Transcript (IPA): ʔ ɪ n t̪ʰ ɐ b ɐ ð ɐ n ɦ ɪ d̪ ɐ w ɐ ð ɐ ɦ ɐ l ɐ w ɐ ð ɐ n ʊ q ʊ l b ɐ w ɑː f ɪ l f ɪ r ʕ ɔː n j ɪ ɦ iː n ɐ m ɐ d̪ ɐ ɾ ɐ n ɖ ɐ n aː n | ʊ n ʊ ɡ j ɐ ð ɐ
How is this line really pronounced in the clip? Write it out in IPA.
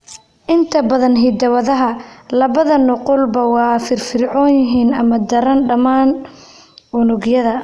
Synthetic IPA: ʔ ɪ n t̪ʰ ɐ b ɐ ð ɐ n ɦ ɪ d̪ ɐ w ɐ ð ɐ ɦ ɐ l ɐ β ɐ ð ɐ n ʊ q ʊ l b ɐ w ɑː f ɪ r f ɪ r ʕ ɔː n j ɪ ɦ iː n ɐ m ɐ d̪ ɐ ɾ ɐ n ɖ ɐ m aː n | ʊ n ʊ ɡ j ɐ ð ɐ